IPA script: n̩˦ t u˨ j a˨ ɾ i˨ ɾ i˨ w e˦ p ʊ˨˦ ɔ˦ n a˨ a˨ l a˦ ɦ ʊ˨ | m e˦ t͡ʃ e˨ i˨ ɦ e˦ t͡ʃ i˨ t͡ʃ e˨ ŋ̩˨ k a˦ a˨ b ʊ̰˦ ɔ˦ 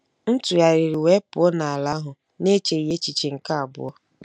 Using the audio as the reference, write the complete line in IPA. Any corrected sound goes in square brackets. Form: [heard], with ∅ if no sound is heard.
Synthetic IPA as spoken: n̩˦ t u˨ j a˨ ɾ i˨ ɾ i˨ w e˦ p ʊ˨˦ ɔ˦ n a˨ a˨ l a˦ ɦ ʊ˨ | [n] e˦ t͡ʃ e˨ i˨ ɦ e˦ t͡ʃ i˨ t͡ʃ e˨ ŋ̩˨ k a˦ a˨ b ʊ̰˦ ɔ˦